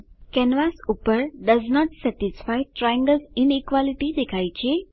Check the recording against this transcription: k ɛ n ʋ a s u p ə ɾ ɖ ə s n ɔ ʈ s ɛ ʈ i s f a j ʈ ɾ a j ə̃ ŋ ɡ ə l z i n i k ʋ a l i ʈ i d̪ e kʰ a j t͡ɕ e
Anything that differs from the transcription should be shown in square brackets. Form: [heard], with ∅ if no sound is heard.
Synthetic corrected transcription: k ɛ n ʋ a s u p ə ɾ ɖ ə [z] n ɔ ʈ s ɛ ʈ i s f a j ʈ ɾ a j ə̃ ŋ ɡ ə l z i n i k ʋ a l i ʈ i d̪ e kʰ a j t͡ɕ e